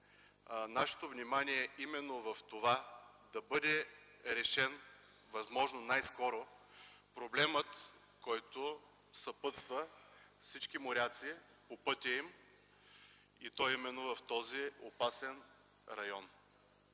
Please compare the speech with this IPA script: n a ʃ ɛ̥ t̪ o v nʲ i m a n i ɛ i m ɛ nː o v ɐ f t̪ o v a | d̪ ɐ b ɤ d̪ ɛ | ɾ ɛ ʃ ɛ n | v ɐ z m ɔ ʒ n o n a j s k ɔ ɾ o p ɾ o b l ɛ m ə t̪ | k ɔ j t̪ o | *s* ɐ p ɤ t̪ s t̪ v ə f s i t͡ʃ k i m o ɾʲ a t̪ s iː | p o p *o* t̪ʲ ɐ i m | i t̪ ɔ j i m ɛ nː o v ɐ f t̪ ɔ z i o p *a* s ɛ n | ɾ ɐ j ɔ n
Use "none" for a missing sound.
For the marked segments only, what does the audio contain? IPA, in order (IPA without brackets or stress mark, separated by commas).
s, ɤ, a